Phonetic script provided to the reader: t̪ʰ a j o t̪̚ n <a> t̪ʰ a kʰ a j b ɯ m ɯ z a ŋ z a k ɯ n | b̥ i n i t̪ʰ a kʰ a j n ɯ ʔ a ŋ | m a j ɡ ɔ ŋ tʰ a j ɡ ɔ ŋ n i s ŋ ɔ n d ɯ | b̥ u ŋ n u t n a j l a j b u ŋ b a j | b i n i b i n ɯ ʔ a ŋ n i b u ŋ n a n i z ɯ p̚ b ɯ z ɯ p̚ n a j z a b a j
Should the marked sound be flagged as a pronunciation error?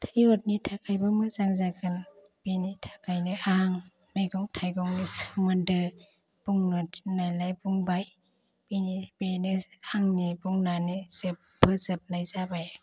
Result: yes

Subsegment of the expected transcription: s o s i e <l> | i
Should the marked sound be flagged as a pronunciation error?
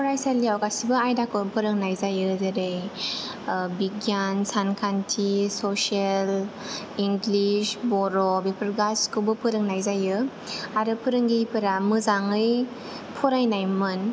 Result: no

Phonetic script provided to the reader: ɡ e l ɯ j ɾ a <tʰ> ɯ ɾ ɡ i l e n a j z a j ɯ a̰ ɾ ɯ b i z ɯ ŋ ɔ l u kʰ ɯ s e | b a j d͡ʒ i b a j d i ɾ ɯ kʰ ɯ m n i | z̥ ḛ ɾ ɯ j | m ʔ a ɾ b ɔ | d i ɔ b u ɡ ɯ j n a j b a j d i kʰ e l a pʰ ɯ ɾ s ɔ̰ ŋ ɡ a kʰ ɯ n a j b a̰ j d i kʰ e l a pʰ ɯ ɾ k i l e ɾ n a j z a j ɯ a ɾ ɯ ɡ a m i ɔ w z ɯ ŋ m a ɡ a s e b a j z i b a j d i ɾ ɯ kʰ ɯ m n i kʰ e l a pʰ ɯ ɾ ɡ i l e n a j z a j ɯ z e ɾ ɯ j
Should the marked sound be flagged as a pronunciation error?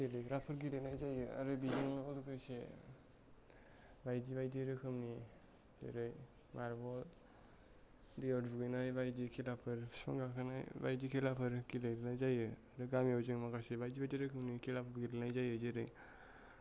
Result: yes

